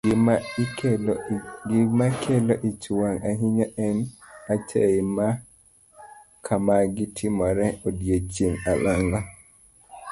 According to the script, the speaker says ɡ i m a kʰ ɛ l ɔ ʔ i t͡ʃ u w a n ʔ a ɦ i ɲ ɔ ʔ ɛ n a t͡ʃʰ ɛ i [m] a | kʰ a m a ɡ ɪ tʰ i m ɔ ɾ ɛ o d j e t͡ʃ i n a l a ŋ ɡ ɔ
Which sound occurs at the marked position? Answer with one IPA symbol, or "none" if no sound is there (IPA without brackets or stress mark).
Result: m